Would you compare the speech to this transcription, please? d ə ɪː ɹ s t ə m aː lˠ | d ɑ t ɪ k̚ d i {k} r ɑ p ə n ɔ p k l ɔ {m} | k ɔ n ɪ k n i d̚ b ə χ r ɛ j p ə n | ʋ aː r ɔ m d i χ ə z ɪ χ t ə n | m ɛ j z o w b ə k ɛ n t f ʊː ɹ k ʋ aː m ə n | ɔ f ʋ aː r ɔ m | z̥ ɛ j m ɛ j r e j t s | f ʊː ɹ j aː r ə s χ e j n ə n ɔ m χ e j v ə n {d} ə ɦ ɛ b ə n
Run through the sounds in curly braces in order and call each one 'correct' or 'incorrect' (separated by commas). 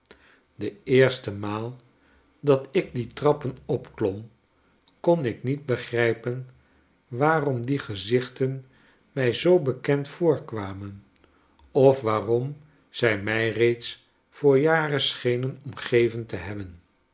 incorrect, correct, incorrect